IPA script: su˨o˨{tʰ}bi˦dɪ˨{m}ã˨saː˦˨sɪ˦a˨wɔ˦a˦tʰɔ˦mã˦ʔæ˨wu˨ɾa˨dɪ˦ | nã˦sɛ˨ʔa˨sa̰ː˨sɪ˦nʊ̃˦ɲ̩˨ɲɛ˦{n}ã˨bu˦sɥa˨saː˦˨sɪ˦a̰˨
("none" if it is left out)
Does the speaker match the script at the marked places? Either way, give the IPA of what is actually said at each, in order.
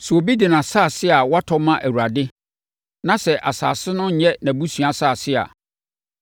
none, n, n

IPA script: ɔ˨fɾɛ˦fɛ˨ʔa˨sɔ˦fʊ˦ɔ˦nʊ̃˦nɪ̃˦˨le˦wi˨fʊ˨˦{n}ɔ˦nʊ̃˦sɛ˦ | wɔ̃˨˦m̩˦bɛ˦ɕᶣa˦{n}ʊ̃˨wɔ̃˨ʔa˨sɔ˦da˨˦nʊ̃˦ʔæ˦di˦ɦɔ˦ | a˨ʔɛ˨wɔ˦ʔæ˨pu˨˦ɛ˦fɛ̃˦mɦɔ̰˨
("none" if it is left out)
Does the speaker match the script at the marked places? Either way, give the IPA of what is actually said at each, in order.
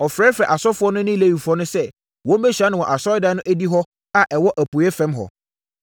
none, n

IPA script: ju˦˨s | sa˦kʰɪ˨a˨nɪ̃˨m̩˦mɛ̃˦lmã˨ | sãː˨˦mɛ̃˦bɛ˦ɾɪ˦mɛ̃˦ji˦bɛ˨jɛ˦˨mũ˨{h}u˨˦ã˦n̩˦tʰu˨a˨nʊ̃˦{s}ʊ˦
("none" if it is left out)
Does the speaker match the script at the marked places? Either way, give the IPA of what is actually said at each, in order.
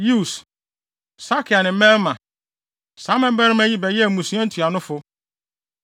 s, f

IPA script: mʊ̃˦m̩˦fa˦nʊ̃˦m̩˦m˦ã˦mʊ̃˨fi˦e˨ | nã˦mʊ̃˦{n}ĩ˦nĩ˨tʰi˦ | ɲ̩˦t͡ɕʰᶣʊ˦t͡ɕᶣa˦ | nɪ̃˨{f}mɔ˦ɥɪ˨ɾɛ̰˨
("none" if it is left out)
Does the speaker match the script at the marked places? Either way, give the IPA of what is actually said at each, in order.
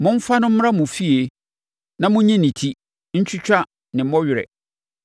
ɲ, none

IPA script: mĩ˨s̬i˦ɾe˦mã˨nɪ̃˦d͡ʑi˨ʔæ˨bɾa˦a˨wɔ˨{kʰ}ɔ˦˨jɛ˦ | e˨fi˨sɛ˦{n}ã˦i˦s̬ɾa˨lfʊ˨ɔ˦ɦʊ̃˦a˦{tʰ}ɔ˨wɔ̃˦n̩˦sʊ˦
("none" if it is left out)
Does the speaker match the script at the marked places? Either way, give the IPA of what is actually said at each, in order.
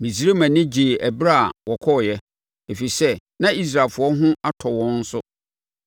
kʰ, n, tʰ

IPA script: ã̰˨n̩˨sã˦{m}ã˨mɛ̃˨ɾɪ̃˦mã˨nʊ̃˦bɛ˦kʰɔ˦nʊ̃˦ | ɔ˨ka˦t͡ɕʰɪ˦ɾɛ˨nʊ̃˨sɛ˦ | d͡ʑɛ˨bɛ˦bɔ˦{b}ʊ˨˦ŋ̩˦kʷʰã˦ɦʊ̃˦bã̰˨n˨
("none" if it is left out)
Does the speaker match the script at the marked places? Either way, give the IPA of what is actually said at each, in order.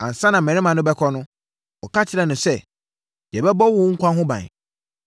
n, w

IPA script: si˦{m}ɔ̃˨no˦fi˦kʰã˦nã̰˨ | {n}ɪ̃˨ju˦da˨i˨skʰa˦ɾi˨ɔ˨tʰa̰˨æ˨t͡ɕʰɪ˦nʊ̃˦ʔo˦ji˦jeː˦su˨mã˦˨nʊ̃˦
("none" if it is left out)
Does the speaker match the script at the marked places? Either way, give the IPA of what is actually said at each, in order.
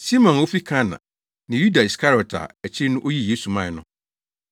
m, n

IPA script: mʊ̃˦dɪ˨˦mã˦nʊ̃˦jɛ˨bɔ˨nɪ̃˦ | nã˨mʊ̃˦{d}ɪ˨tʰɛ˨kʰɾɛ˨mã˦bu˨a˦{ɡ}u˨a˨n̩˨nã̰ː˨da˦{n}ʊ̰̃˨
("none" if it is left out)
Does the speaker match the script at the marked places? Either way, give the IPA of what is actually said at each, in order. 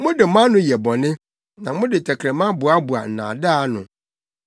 d, b, n

